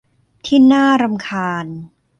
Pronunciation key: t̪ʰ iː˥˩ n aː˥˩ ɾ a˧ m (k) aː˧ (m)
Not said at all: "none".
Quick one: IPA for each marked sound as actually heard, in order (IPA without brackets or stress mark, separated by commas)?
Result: kʰ, n